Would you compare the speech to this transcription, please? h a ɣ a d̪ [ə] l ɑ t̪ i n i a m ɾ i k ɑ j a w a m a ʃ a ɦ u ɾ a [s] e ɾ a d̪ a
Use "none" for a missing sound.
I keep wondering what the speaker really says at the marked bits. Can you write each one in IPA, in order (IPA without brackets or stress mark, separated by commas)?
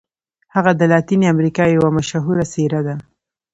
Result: ə, s